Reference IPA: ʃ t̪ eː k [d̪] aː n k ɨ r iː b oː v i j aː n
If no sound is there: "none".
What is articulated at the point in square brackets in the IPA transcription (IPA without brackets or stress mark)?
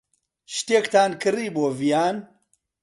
t̪